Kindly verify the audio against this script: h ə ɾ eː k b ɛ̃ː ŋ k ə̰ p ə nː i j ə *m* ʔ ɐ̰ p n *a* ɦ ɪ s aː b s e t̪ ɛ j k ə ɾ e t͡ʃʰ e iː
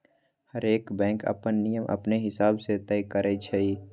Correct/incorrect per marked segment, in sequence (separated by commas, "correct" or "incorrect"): correct, incorrect